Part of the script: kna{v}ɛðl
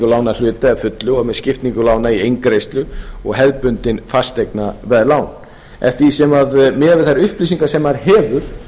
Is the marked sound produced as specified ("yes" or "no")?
yes